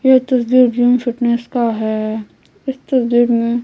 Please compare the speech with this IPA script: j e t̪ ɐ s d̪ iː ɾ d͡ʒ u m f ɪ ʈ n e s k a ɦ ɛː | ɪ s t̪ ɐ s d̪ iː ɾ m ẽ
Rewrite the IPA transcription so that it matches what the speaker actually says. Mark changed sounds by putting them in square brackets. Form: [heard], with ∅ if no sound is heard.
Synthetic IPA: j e t̪ ɐ s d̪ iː ɾ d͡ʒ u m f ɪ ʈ n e s k a ɦ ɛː | ɪ s t̪ ɐ s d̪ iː ɾ m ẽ